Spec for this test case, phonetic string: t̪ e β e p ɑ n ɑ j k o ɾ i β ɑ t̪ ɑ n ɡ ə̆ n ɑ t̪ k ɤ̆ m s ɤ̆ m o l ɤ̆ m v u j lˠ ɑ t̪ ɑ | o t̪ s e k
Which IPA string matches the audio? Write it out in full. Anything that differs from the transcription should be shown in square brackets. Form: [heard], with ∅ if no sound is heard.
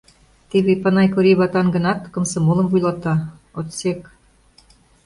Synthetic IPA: t̪ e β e p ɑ n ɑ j k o ɾ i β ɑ t̪ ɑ n ɡ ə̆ n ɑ t̪ k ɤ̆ m s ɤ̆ m o l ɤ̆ m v u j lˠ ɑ t̪ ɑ | o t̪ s e k